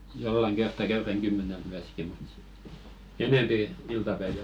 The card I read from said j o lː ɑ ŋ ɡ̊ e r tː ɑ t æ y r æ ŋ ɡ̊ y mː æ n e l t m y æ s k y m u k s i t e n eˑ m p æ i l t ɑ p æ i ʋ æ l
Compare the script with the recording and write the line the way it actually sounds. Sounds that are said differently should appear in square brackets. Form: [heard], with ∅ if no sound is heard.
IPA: j o lː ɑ ŋ ɡ̊ e r tː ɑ [k] æ y r æ ŋ ɡ̊ y mː æ n e l t m y æ s k [i] m u [t] s i t e n eˑ m p [i] i l t ɑ p æ i ʋ æ l